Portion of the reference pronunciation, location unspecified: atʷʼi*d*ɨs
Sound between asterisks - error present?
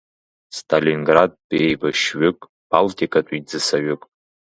yes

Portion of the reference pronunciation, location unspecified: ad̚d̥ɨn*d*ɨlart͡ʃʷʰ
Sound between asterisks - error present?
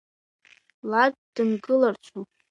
yes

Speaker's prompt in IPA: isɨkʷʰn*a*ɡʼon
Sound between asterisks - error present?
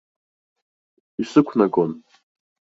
no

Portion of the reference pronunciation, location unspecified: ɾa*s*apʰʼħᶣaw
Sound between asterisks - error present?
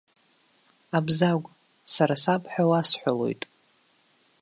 no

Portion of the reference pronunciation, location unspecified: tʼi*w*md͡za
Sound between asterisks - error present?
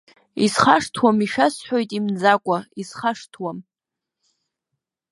yes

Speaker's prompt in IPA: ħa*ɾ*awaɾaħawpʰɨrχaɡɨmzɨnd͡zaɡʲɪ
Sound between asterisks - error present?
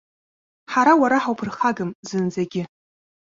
no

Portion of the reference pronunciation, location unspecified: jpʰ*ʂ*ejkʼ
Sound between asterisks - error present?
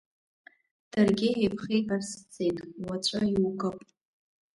yes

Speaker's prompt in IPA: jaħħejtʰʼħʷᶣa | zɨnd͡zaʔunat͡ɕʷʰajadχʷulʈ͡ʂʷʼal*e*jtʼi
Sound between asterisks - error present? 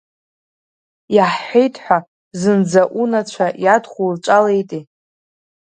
no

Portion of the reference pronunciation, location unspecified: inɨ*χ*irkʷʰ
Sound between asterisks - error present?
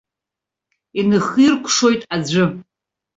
no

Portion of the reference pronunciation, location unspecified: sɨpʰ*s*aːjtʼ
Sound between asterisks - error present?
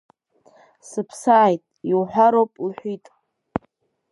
no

